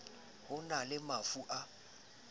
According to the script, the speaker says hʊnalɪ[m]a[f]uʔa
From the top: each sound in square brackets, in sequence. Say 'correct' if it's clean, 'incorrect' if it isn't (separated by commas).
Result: correct, correct